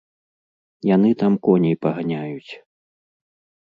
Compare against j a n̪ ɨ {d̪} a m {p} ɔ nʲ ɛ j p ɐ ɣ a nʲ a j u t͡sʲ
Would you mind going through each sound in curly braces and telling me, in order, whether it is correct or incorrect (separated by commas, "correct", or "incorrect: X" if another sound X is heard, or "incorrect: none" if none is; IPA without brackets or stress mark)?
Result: incorrect: t̪, incorrect: k